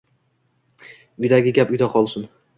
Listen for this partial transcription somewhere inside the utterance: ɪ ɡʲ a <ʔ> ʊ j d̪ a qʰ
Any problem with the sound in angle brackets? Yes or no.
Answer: yes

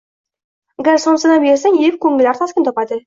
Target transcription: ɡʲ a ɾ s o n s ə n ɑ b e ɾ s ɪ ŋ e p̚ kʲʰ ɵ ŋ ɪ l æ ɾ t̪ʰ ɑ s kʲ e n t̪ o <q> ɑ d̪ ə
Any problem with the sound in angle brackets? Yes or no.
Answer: yes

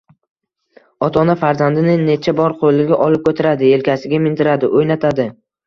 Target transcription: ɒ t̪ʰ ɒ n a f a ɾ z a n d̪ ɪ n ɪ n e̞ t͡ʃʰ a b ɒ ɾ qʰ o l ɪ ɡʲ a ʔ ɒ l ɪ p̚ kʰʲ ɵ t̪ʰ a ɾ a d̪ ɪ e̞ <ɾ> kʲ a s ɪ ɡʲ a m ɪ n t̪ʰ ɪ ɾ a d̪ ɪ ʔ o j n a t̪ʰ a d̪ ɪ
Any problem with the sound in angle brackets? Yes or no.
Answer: yes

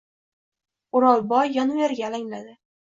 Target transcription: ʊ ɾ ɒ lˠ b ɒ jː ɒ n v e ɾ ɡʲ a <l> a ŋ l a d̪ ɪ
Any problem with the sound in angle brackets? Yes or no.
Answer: no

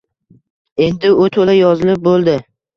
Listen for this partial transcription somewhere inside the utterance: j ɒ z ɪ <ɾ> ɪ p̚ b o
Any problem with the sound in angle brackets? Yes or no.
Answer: yes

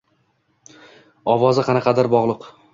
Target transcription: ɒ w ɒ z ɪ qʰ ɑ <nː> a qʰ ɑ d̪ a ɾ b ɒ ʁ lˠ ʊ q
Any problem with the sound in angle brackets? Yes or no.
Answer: yes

